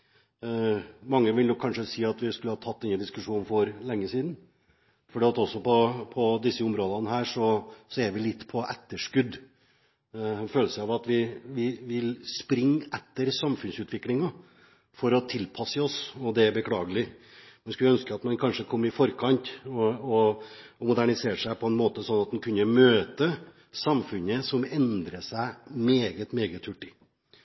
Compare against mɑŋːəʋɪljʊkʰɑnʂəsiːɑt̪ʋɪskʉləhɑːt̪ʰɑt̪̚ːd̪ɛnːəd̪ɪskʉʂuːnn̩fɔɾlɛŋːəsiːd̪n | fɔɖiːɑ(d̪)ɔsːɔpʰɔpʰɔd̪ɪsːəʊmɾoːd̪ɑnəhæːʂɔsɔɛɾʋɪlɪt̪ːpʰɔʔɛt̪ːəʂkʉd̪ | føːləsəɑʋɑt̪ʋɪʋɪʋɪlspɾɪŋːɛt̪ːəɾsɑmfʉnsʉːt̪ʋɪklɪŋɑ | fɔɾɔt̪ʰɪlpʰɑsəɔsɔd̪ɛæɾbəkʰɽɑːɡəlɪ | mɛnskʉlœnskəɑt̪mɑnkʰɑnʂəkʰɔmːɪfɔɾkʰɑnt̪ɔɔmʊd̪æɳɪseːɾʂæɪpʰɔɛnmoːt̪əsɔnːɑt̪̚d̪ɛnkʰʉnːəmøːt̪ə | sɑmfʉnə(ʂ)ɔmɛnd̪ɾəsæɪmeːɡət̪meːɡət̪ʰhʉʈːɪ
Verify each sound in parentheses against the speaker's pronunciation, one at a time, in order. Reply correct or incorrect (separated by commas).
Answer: incorrect, incorrect